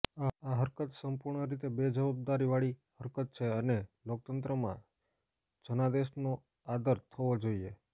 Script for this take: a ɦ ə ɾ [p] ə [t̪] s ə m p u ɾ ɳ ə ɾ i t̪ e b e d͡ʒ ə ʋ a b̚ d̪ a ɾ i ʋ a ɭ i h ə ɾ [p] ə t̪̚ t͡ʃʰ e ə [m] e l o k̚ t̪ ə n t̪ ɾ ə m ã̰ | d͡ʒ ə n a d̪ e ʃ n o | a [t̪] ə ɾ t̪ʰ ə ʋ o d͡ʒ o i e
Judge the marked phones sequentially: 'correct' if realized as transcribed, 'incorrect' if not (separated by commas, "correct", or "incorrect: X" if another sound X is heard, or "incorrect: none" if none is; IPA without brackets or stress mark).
incorrect: k, correct, incorrect: k, incorrect: n, incorrect: d̪